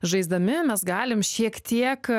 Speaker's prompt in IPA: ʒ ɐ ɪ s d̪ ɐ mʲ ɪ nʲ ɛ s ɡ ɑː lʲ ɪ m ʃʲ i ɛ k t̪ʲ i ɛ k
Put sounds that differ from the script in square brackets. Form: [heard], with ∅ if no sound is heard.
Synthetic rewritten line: ʒ ɐ ɪ [z] d̪ ɐ mʲ ɪ [mʲ] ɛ s ɡ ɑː lʲ ɪ m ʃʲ i ɛ k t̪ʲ i ɛ k